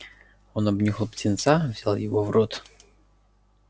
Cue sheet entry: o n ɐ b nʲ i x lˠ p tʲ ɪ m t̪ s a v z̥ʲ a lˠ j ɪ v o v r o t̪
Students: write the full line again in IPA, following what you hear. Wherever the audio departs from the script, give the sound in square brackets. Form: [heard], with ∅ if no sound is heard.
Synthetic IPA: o n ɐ b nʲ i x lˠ p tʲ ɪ [n] t̪ s a v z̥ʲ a lˠ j ɪ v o v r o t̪

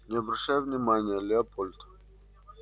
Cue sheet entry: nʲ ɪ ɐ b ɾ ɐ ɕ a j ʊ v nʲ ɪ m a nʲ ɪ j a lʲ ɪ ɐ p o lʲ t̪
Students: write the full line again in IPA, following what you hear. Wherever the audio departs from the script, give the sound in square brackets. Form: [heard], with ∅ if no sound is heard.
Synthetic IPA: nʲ ɪ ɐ b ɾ ɐ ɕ a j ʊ v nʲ ɪ m a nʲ ɪ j [ə] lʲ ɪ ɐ p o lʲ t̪

